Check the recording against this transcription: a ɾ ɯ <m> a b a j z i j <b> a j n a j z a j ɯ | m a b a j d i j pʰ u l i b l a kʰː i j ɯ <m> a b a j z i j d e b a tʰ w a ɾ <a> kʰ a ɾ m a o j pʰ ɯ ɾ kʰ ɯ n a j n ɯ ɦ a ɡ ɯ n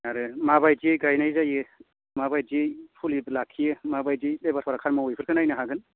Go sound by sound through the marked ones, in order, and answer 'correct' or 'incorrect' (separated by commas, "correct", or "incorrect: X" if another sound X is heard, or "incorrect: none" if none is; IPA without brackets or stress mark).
correct, incorrect: ɡ, correct, correct